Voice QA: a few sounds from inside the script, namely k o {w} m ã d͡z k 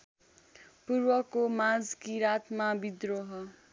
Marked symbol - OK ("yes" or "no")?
no